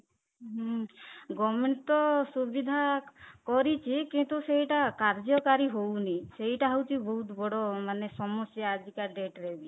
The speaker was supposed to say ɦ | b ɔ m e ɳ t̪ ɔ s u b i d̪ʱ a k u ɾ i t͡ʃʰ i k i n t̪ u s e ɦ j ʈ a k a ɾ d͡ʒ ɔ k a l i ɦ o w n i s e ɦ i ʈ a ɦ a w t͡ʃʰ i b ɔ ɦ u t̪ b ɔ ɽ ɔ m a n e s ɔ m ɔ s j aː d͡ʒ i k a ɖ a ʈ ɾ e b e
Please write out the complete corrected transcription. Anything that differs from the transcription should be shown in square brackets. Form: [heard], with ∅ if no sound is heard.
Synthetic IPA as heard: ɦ | [ɡ] ɔ m e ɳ t̪ ɔ s u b i d̪ʱ a k [ɔ] ɾ i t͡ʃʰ i k i n t̪ u s e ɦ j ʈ a k a ɾ d͡ʒ ɔ k a [ɾ] i ɦ o w n i s e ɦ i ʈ a ɦ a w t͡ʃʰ i b ɔ ɦ u t̪ b ɔ ɽ ɔ m a n e s ɔ m ɔ s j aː d͡ʒ i k a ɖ [e] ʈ ɾ e b [i]

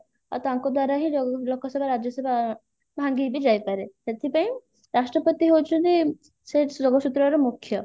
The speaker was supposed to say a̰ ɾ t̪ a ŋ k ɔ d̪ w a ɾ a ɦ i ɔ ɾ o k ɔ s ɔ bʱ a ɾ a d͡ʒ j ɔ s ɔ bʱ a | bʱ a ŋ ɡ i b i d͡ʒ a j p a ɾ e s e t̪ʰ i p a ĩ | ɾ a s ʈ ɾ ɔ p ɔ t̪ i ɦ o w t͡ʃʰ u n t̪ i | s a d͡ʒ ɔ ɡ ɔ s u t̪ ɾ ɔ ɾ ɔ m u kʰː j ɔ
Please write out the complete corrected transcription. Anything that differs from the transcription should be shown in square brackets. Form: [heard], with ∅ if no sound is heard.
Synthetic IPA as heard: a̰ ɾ t̪ a ŋ k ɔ d̪ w a ɾ a ɦ i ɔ [l] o k ɔ s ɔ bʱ a ɾ a d͡ʒ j ɔ s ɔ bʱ a | bʱ a ŋ ɡ i b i d͡ʒ a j p a ɾ e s e t̪ʰ i p a ĩ | ɾ a s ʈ ɾ ɔ p ɔ t̪ i ɦ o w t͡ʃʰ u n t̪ i | s [e] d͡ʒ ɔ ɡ ɔ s u t̪ ɾ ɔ ɾ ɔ m u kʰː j ɔ

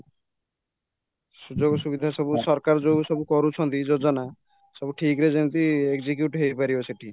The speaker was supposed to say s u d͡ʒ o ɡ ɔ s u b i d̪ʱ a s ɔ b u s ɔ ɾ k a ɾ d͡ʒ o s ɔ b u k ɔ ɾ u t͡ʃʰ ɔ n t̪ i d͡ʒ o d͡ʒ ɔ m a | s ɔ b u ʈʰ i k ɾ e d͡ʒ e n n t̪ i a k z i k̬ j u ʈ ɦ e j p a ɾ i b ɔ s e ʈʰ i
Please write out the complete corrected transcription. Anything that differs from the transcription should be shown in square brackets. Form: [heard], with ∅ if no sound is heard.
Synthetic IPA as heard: s u d͡ʒ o ɡ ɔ s u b i d̪ʱ a s ɔ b u s ɔ ɾ k a ɾ d͡ʒ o s ɔ b u k ɔ ɾ u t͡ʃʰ ɔ n t̪ i d͡ʒ o d͡ʒ ɔ [n] a | s ɔ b u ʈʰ i k ɾ e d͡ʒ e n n t̪ i [e] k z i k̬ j u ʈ ɦ e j p a ɾ i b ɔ s e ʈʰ i

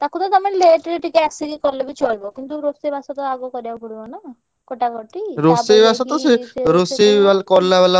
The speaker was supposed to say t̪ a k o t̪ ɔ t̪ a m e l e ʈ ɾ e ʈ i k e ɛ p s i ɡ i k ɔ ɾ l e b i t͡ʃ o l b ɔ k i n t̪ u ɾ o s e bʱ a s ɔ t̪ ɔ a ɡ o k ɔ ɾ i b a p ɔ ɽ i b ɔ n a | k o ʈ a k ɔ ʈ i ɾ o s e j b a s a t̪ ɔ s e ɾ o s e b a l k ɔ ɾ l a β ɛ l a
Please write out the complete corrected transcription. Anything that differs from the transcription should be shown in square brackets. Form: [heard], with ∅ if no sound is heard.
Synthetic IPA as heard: t̪ a k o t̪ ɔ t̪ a m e l e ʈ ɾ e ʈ i k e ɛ [k] s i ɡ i k ɔ ɾ l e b i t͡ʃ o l b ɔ k i n t̪ u ɾ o s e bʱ a s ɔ t̪ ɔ a ɡ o k ɔ ɾ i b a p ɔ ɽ i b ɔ n a | k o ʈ a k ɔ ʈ i ɾ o s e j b a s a t̪ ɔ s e ɾ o s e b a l k ɔ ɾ l a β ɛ l a

